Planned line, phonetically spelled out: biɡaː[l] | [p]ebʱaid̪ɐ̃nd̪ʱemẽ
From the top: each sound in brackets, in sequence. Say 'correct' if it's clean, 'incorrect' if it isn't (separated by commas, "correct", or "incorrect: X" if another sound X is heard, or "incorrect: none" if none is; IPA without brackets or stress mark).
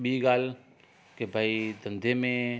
correct, incorrect: k